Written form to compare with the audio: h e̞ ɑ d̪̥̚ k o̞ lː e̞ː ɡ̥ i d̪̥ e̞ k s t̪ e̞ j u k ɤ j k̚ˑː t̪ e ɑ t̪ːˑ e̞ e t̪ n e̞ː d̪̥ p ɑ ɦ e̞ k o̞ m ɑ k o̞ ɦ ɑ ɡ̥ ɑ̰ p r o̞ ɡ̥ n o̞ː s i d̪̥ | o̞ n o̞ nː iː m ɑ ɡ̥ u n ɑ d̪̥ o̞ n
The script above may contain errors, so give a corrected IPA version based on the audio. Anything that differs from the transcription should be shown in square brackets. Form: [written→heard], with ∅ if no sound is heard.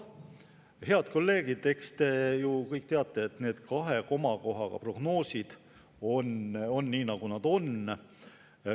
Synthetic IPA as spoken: h e̞ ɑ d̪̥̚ k o̞ lː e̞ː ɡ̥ i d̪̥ e̞ k s t̪ e̞ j u k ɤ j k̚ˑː t̪ e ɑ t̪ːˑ e̞ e t̪ n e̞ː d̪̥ [p→k] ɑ ɦ e̞ k o̞ m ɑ k o̞ ɦ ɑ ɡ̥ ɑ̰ p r o̞ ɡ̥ n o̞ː s i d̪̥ | o̞ n o̞ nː iː [m→n] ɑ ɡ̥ u n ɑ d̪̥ o̞ n